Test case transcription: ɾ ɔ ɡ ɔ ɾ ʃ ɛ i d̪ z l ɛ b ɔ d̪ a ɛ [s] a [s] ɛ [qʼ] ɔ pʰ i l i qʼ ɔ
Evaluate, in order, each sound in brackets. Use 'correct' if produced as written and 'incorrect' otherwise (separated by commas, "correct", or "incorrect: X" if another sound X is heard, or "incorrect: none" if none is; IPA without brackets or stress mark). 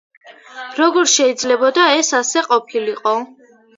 correct, correct, correct